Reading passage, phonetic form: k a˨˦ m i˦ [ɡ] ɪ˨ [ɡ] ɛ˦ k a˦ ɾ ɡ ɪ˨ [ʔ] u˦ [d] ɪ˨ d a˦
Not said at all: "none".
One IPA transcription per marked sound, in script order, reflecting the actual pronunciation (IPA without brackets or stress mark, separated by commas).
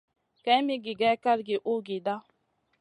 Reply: ɡ, ɡ, ʔ, ɡ